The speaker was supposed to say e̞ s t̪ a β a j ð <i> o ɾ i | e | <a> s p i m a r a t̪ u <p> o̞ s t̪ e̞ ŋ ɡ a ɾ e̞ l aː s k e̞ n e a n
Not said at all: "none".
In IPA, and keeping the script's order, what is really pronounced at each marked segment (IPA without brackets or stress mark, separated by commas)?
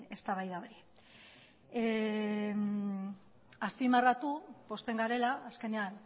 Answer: a, a, p